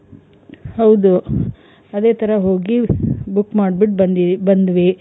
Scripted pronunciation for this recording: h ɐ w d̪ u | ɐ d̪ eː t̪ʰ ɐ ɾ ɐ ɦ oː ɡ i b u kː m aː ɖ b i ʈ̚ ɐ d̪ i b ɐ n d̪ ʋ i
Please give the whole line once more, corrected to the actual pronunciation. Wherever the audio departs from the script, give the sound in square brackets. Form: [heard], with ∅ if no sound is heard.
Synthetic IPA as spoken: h ɐ w d̪ u | ɐ d̪ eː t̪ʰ ɐ ɾ ɐ ɦ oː ɡ i b u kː m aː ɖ b i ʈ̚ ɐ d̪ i b ɐ n d̪ ʋ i